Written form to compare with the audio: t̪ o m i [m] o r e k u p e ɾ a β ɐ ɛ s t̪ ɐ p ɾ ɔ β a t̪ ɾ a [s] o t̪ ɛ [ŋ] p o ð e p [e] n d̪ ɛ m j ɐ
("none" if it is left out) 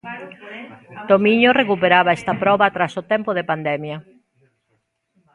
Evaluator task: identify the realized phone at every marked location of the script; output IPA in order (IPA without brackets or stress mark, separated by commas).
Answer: ɲ, s, m, a